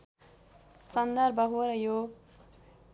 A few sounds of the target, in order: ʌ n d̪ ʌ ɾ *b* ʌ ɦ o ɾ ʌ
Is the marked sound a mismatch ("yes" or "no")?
no